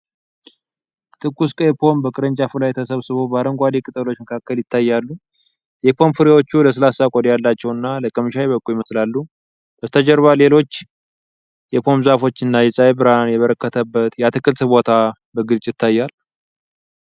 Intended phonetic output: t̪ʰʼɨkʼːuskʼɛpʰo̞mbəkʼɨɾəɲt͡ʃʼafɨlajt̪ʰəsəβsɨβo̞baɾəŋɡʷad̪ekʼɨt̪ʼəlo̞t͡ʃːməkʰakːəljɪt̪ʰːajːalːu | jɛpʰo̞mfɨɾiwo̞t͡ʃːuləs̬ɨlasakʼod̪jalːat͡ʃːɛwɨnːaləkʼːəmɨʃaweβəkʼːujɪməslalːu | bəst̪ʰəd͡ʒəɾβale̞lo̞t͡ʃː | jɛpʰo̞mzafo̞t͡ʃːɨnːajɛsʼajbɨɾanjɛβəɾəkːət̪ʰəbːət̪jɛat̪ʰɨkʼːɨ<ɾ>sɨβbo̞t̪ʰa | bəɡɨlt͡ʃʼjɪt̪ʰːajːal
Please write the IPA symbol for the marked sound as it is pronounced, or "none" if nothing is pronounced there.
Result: l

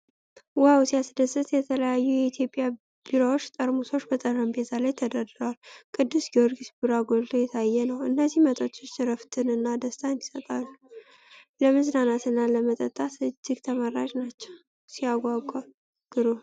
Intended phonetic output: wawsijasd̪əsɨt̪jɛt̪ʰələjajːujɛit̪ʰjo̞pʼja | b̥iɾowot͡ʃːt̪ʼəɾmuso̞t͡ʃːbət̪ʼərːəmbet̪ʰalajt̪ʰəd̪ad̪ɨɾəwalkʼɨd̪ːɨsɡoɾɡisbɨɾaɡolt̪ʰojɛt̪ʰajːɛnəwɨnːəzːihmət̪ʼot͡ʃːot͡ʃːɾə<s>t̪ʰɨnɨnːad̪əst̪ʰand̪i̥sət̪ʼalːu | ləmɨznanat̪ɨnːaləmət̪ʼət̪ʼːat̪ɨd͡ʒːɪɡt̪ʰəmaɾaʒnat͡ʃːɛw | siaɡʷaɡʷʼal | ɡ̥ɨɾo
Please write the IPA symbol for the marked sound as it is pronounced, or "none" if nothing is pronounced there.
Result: f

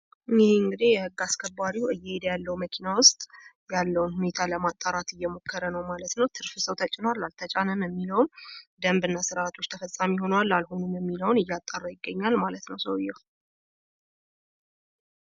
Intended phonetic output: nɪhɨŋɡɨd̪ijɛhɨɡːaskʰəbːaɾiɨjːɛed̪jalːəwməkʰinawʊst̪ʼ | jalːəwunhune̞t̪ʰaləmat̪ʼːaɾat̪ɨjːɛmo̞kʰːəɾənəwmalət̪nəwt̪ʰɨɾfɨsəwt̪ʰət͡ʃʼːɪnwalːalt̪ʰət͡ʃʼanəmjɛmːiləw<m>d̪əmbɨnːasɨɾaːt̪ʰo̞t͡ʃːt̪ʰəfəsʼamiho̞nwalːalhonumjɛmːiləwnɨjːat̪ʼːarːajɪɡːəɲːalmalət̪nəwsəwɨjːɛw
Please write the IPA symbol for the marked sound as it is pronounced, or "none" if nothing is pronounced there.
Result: n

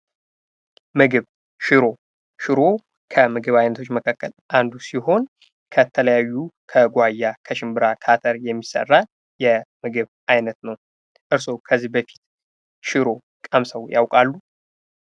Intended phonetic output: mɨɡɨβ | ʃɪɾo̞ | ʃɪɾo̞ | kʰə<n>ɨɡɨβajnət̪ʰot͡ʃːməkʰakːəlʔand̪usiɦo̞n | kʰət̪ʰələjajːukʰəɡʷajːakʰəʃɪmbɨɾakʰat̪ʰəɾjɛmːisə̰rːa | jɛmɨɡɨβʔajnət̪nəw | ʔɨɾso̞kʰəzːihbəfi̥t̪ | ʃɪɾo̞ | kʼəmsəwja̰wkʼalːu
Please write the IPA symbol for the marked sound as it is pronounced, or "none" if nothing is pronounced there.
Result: m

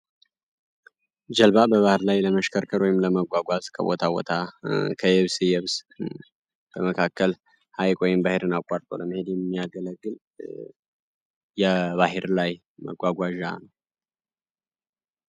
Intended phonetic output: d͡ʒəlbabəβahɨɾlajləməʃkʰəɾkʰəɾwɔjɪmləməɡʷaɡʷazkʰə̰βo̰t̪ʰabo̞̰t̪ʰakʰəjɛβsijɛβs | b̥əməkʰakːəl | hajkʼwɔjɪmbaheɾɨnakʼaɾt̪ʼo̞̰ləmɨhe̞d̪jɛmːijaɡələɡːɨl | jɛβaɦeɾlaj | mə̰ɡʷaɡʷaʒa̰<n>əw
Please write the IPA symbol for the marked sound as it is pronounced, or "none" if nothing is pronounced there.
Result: n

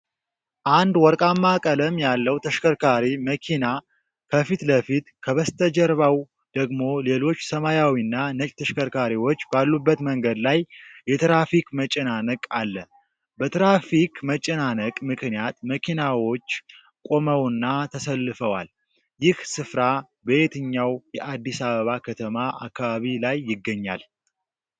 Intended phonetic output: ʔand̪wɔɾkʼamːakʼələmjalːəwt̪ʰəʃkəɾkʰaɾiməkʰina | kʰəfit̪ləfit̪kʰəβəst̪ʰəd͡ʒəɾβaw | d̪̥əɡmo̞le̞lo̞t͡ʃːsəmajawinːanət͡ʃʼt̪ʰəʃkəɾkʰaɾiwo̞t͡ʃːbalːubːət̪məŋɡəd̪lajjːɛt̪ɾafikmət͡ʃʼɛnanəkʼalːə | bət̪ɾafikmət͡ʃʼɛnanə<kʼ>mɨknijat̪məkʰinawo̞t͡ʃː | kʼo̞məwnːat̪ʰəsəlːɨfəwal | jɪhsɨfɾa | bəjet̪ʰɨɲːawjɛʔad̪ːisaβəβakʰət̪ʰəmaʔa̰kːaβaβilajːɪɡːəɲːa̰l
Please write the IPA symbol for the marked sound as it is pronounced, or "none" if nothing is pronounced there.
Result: kʼ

